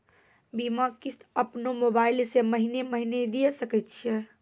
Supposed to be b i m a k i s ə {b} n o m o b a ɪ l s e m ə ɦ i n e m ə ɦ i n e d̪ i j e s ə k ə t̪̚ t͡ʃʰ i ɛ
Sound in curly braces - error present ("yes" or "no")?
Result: yes